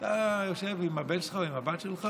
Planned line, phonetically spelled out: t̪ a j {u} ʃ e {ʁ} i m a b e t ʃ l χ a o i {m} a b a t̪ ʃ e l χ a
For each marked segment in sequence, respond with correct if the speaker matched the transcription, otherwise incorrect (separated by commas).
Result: incorrect, incorrect, correct